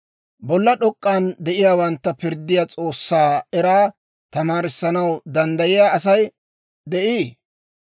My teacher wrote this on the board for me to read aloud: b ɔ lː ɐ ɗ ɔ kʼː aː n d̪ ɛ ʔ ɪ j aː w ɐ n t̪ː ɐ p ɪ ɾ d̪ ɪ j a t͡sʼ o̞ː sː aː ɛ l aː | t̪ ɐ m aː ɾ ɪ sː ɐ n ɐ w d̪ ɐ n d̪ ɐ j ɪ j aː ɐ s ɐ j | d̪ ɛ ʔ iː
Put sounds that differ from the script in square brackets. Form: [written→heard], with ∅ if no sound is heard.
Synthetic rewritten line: b ɔ lː ɐ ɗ ɔ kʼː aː n d̪ ɛ ʔ ɪ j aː w ɐ n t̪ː ɐ p ɪ ɾ d̪ ɪ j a t͡sʼ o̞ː sː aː ɛ [l→ɾ] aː | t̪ ɐ m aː ɾ ɪ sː ɐ n ɐ w d̪ ɐ n d̪ ɐ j ɪ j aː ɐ s ɐ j | d̪ ɛ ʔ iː

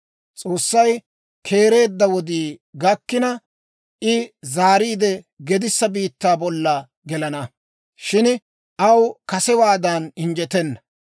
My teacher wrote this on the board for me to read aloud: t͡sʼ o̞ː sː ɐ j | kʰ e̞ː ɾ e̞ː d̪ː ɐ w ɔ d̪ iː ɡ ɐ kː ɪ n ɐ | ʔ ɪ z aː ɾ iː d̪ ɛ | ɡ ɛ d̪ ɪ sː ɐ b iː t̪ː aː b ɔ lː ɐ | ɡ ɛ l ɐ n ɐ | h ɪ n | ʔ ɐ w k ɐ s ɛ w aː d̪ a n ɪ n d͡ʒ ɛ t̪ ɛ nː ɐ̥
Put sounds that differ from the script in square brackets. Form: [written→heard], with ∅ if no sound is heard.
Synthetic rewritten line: t͡sʼ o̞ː sː ɐ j | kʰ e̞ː ɾ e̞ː d̪ː ɐ w ɔ d̪ iː ɡ ɐ kː ɪ n ɐ | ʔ ɪ z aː ɾ iː d̪ ɛ | ɡ ɛ d̪ ɪ sː ɐ b iː t̪ː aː b ɔ lː ɐ | ɡ ɛ l ɐ n ɐ | [h→ʃ] ɪ n | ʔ ɐ w k ɐ s ɛ w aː d̪ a n ɪ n d͡ʒ ɛ t̪ ɛ nː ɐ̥

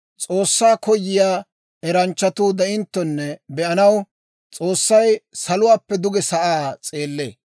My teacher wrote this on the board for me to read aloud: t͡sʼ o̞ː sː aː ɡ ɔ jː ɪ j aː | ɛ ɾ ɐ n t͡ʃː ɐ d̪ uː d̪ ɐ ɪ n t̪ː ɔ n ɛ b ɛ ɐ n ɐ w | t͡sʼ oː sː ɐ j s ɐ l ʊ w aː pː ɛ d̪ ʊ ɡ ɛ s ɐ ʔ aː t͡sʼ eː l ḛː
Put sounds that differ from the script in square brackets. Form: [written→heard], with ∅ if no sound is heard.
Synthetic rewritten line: t͡sʼ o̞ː sː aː [ɡ→k] ɔ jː ɪ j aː | ɛ ɾ ɐ n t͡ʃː ɐ [d̪→t̪] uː d̪ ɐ ɪ n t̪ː ɔ [n→nː] ɛ b ɛ ɐ n ɐ w | t͡sʼ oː sː ɐ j s ɐ l ʊ w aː pː ɛ d̪ ʊ ɡ ɛ s ɐ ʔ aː t͡sʼ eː [l→lː] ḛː

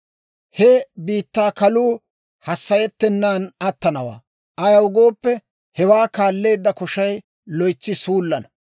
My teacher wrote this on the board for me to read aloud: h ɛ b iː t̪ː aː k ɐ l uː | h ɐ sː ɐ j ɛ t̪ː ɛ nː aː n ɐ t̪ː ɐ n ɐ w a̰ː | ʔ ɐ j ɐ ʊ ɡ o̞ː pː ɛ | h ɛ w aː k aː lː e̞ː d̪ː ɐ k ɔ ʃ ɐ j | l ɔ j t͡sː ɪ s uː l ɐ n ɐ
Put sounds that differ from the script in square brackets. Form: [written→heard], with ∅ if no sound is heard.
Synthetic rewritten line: h ɛ b iː t̪ː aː k ɐ l uː | h ɐ sː ɐ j ɛ t̪ː ɛ nː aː n ɐ t̪ː ɐ n ɐ w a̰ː | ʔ ɐ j ɐ ʊ ɡ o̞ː pː ɛ | h ɛ w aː k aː lː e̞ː d̪ː ɐ k ɔ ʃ ɐ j | l ɔ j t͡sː ɪ s uː [l→lː] ɐ n ɐ

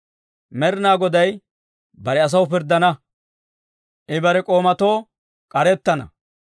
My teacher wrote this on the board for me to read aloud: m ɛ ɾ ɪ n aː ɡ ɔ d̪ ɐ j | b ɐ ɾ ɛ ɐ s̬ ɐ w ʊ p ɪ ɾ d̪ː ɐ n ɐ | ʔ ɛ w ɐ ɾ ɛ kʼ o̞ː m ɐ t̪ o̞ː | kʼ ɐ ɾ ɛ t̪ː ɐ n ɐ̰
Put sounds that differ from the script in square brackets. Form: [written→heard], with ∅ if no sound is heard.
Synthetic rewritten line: m ɛ ɾ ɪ n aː ɡ ɔ d̪ ɐ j | b ɐ ɾ ɛ ɐ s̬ ɐ w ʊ p ɪ ɾ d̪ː ɐ n ɐ | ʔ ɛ [w→b] ɐ ɾ ɛ kʼ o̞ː m ɐ t̪ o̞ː | kʼ ɐ ɾ ɛ t̪ː ɐ n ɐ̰

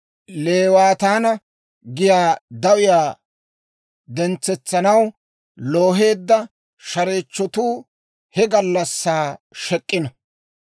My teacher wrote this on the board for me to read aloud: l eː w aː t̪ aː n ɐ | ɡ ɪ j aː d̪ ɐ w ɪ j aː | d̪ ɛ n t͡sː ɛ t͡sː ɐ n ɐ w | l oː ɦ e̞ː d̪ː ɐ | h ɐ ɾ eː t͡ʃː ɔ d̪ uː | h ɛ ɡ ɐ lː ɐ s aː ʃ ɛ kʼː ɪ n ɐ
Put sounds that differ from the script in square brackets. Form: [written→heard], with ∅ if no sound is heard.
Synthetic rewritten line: l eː w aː t̪ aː n ɐ | ɡ ɪ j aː d̪ ɐ w ɪ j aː | d̪ ɛ n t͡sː ɛ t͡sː ɐ n ɐ w | l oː ɦ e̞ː d̪ː ɐ | [h→ʃ] ɐ ɾ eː t͡ʃː ɔ [d̪→t̪] uː | h ɛ ɡ ɐ lː ɐ [s→sː] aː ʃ ɛ kʼː ɪ n ɐ

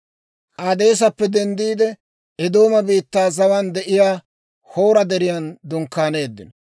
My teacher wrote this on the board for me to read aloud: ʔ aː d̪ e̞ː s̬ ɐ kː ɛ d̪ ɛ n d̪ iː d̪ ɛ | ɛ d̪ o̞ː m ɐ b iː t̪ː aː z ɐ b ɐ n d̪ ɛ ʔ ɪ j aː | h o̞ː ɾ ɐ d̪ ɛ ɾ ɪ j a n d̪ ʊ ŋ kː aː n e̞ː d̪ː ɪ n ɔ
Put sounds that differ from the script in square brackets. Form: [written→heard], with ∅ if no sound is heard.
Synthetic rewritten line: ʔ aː d̪ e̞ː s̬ ɐ [kː→pː] ɛ d̪ ɛ n d̪ iː d̪ ɛ | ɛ d̪ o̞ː m ɐ b iː t̪ː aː z ɐ [b→w] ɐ n d̪ ɛ ʔ ɪ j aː | h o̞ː ɾ ɐ d̪ ɛ ɾ ɪ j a n d̪ ʊ ŋ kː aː n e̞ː d̪ː ɪ n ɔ

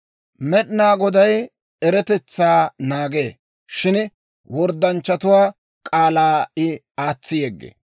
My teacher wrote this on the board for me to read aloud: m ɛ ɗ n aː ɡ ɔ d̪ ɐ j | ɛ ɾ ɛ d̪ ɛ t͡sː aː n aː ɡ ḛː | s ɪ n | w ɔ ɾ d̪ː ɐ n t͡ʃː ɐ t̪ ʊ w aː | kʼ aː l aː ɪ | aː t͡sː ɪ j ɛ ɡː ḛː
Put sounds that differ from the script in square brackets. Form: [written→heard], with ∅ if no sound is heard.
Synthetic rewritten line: m ɛ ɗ n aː ɡ ɔ d̪ ɐ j | ɛ ɾ ɛ [d̪→t̪] ɛ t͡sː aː n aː ɡ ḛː | [s→ʃ] ɪ n | w ɔ ɾ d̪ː ɐ n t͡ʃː ɐ t̪ ʊ w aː | kʼ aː l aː ɪ | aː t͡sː ɪ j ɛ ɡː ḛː

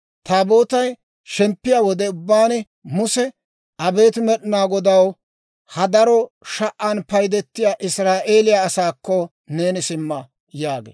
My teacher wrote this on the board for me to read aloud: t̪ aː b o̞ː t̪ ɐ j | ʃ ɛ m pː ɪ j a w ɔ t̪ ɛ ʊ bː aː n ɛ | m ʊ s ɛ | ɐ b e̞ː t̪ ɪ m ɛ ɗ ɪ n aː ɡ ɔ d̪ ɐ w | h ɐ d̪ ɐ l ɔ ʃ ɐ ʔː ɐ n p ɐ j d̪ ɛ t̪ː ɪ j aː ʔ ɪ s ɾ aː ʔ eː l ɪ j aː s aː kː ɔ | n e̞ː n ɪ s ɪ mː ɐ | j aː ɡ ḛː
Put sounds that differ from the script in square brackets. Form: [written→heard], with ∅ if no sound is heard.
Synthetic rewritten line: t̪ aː b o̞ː t̪ ɐ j | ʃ ɛ m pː ɪ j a w ɔ [t̪→d̪] ɛ ʊ bː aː n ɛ | m ʊ s ɛ | ɐ b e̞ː t̪ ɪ m ɛ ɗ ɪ n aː ɡ ɔ d̪ ɐ w | h ɐ d̪ ɐ [l→ɾ] ɔ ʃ ɐ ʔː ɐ n p ɐ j d̪ ɛ t̪ː ɪ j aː ʔ ɪ s ɾ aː ʔ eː l ɪ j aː s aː kː ɔ | n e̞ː n ɪ s ɪ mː ɐ | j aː ɡ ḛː

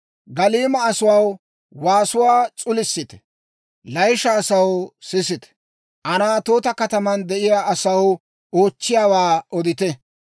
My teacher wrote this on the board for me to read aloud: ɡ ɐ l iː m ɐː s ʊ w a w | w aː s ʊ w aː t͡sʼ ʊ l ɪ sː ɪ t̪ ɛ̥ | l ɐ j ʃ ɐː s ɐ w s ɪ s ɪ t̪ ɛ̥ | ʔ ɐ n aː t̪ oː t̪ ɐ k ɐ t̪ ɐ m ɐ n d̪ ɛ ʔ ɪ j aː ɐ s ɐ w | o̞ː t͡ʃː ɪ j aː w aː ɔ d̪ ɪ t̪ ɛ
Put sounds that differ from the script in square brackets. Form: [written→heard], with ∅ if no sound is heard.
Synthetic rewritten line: ɡ ɐ l iː m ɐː s ʊ w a w | w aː s ʊ w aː t͡sʼ ʊ l ɪ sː ɪ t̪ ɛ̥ | l ɐ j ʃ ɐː s ɐ w s ɪ s ɪ t̪ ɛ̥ | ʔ ɐ n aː t̪ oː t̪ ɐ k ɐ t̪ ɐ m ɐ n d̪ ɛ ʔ ɪ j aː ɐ s ɐ w | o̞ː t͡ʃː ɪ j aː w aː ɔ d̪ ɪ t̪ ɛ

